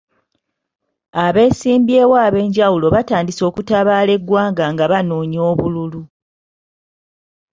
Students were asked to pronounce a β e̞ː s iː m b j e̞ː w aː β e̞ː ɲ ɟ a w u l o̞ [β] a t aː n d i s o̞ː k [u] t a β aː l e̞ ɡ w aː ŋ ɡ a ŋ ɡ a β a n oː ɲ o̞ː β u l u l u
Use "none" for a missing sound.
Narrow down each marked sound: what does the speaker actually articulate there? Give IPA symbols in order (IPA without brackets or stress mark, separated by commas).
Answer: β, u